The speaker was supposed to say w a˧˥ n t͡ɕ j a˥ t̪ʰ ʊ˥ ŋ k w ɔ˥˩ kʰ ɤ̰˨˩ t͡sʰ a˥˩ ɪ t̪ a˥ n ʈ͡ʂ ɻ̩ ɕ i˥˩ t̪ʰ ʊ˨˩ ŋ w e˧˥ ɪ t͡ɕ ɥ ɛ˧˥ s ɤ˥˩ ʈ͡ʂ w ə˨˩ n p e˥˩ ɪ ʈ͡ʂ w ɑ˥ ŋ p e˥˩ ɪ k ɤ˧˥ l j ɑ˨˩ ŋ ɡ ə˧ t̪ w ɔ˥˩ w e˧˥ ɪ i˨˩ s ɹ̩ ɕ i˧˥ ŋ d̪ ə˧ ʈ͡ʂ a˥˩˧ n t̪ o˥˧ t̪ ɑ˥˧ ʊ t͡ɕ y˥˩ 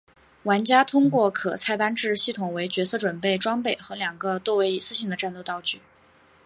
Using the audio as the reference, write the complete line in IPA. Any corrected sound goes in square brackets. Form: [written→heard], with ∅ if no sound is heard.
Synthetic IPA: w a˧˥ n t͡ɕ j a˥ t̪ʰ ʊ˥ ŋ k w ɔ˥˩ kʰ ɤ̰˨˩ t͡sʰ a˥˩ ɪ t̪ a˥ n ʈ͡ʂ ɻ̩ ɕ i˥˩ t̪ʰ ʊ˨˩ ŋ w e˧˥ ɪ t͡ɕ ɥ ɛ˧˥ s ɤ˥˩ ʈ͡ʂ w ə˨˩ n p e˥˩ ɪ ʈ͡ʂ w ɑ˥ ŋ p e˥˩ ɪ [k→x] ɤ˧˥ l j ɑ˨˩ ŋ ɡ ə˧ t̪ w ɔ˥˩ w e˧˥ ɪ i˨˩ s ɹ̩ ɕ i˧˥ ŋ d̪ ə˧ ʈ͡ʂ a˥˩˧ n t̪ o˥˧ t̪ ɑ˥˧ ʊ t͡ɕ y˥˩

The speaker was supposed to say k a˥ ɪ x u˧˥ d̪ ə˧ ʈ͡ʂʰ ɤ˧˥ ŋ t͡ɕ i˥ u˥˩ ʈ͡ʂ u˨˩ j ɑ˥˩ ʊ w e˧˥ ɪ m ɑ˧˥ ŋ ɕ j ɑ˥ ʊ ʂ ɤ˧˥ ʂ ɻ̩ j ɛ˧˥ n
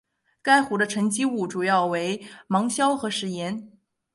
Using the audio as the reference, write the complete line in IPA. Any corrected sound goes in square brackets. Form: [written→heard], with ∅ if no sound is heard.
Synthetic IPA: k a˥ ɪ x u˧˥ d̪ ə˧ ʈ͡ʂʰ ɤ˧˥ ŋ t͡ɕ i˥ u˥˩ ʈ͡ʂ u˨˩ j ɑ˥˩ ʊ w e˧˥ ɪ m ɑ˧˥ ŋ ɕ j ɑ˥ ʊ [ʂ→x] ɤ˧˥ ʂ ɻ̩ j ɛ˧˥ n

